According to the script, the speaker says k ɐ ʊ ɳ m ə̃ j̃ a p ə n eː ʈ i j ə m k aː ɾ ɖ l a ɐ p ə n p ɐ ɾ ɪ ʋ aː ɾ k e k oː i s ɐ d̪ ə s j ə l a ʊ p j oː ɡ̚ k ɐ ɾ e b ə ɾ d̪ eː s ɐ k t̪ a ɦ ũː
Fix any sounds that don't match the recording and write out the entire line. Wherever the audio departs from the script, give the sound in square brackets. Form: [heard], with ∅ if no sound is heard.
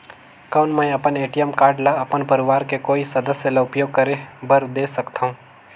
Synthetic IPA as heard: k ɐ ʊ [n] m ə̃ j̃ [ɐ] p ə n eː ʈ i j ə m k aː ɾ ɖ l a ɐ p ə n p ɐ ɾ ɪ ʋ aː ɾ k e k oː i s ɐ d̪ ə s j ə l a ʊ p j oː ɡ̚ k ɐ ɾ e b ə ɾ d̪ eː s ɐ k t̪ a ɦ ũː